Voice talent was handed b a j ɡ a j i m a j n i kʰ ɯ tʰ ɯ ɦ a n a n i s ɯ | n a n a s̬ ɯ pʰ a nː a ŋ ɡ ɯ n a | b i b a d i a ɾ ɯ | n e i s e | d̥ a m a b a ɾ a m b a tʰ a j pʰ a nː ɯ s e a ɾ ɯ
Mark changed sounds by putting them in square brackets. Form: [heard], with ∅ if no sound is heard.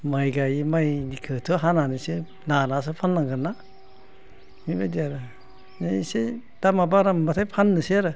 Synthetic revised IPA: [m] a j ɡ a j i m a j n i kʰ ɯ tʰ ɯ ɦ a n a n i s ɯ | n a n a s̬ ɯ pʰ a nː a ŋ ɡ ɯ n a | [m] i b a d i a ɾ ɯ | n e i s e | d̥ a m a b a ɾ a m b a tʰ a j pʰ a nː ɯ s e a ɾ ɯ